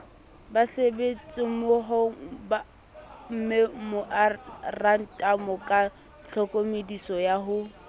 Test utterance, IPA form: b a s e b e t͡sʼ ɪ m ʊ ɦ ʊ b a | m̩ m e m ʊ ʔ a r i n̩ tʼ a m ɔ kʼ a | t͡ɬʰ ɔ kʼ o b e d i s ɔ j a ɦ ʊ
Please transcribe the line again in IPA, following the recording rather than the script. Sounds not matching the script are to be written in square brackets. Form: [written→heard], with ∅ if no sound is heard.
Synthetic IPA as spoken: b a s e b e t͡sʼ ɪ m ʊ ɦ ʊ b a | m̩ m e m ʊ ʔ a r [i→a] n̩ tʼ a m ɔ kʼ a | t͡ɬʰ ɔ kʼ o [b→m] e d i s ɔ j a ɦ ʊ